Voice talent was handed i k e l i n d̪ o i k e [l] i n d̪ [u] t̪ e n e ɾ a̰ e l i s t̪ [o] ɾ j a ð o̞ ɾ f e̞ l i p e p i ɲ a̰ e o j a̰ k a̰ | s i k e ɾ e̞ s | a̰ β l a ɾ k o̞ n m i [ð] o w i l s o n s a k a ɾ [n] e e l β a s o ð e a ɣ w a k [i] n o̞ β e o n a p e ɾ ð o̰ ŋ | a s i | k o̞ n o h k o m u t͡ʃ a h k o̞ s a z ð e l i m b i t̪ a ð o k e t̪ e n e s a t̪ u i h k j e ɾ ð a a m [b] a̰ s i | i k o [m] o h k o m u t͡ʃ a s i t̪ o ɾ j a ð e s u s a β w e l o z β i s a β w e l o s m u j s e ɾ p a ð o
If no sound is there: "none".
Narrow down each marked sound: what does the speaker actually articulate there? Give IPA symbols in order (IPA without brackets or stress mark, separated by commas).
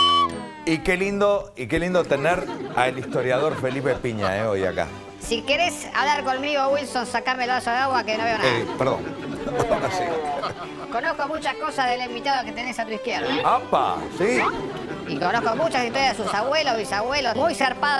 l, o, o, ɣ, m, e, p, n